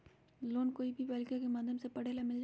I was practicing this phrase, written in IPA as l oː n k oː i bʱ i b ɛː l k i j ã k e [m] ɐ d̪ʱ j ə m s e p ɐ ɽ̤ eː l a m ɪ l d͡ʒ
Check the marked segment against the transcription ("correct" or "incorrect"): correct